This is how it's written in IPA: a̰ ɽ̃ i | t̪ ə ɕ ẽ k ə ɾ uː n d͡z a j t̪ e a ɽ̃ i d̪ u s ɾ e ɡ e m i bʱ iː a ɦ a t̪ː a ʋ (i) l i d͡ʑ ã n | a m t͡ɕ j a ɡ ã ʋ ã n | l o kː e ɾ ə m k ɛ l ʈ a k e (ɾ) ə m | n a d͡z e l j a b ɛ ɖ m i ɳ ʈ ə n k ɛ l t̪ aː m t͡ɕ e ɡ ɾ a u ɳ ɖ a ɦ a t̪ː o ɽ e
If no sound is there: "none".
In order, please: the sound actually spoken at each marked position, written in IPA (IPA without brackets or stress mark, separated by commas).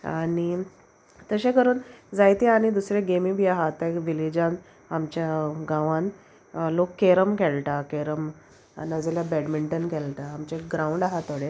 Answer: i, ɾ